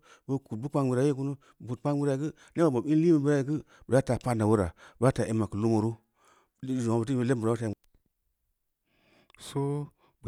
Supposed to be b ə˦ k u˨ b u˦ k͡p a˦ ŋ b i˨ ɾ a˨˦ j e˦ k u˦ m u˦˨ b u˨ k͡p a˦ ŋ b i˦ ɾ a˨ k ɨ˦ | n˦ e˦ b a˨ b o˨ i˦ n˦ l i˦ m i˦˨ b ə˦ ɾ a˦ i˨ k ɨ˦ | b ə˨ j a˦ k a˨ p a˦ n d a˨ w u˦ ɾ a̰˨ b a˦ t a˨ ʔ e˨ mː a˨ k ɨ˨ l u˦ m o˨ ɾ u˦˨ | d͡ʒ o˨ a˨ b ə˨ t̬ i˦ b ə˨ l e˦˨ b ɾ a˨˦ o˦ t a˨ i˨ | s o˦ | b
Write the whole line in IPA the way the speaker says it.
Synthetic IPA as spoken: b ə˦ k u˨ b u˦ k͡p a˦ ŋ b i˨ ɾ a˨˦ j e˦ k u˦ n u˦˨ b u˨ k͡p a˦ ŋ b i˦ ɾ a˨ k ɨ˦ | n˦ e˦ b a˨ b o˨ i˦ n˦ l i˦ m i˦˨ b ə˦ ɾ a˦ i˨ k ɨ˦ | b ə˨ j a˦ t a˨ p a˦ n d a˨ w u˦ ɾ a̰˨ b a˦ t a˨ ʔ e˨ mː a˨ k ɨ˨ l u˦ m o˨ ɾ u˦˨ | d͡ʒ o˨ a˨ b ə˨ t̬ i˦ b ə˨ l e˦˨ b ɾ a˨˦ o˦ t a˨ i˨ | s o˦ | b